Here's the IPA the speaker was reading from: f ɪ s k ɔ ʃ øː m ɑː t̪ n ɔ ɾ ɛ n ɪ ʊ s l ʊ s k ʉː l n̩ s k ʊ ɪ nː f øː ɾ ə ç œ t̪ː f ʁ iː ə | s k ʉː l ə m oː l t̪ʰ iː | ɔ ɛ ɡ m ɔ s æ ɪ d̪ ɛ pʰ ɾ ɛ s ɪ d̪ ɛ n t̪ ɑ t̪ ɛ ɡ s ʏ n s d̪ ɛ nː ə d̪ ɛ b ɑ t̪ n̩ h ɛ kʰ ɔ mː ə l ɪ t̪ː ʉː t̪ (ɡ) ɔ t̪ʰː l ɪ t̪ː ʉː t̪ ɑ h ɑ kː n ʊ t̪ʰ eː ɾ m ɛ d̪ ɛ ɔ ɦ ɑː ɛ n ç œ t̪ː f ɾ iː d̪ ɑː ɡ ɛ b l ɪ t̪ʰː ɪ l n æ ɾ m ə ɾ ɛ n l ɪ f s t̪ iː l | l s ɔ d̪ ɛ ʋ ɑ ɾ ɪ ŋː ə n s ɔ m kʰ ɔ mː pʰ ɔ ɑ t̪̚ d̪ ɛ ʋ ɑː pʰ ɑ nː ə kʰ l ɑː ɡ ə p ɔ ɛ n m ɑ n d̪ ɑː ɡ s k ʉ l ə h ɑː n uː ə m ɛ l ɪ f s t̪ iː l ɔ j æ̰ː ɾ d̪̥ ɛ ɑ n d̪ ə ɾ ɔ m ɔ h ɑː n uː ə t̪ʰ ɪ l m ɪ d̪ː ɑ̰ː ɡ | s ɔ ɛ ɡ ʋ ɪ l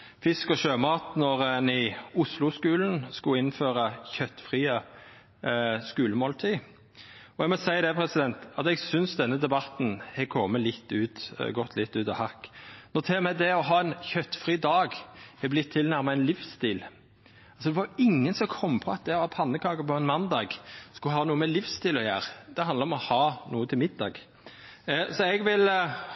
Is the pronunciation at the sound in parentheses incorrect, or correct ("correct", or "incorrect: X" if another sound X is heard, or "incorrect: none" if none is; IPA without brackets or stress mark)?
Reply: correct